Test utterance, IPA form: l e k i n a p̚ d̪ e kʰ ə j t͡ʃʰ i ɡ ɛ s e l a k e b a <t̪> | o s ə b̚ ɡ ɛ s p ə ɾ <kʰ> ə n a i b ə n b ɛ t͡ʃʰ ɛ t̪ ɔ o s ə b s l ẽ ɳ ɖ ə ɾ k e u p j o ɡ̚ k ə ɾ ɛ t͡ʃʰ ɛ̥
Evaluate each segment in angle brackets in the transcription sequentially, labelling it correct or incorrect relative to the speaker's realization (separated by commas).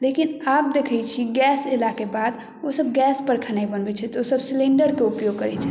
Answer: incorrect, correct